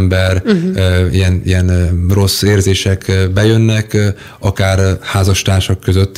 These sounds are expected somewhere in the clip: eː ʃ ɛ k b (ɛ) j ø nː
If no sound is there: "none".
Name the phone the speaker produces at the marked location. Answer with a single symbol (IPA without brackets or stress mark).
ɛ